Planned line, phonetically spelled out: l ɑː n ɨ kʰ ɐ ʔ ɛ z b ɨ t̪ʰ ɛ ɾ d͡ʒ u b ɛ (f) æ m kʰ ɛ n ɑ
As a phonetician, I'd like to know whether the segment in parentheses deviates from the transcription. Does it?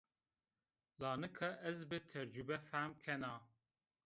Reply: no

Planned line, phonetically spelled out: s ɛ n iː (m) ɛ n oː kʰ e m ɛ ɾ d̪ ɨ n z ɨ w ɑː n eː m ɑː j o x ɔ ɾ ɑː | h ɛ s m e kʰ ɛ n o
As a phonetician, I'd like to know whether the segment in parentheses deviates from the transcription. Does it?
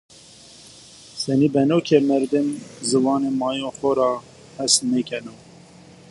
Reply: yes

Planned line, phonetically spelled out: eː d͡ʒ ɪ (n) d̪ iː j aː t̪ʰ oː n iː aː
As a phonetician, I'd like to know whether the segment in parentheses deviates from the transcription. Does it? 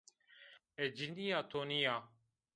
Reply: no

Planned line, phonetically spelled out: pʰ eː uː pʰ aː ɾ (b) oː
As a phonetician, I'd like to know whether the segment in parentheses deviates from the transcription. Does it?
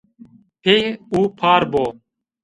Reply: no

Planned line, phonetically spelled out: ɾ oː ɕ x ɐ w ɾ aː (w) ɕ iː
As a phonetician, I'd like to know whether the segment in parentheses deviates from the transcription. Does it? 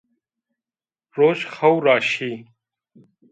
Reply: yes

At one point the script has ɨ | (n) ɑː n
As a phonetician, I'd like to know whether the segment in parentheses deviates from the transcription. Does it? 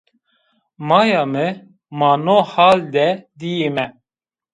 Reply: yes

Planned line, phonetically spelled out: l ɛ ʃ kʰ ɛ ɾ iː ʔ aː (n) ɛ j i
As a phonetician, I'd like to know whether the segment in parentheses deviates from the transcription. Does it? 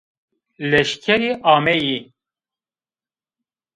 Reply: yes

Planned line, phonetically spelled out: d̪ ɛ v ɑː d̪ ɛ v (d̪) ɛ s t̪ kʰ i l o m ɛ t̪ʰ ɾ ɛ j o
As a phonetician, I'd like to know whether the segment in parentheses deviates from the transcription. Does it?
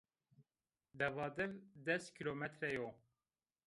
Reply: no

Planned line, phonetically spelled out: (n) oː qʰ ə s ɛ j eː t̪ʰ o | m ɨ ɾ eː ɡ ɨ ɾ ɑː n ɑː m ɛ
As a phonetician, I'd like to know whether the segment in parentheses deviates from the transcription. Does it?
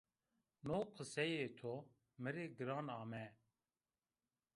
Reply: no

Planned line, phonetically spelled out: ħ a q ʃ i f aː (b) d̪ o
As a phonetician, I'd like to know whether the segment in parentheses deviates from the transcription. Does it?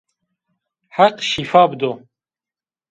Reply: no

